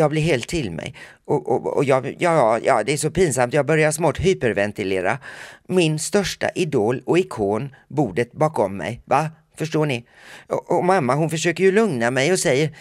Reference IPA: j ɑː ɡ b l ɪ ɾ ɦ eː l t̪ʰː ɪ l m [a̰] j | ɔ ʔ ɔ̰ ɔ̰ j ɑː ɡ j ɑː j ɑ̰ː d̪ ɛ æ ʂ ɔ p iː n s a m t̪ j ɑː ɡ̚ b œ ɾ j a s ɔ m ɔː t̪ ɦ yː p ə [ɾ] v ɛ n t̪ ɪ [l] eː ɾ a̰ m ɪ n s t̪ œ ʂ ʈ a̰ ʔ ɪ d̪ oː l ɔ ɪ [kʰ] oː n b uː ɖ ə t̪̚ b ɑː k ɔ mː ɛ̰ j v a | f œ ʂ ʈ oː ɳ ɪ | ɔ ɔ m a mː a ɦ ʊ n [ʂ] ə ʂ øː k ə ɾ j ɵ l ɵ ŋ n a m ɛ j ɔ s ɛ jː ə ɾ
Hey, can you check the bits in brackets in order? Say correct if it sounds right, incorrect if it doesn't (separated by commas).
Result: incorrect, correct, correct, correct, incorrect